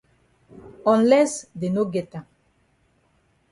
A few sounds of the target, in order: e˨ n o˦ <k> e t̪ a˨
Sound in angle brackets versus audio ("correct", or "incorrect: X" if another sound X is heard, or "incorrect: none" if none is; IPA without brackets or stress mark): incorrect: ɡ